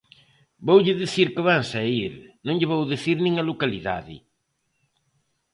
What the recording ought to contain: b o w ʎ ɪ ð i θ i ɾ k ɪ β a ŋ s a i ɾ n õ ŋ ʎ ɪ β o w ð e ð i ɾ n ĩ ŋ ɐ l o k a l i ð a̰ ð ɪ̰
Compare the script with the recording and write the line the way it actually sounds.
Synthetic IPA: b o w ʎ ɪ ð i θ i ɾ k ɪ β a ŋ s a i ɾ n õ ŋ ʎ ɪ β o w ð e θ i ɾ n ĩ ŋ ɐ l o k a l i ð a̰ ð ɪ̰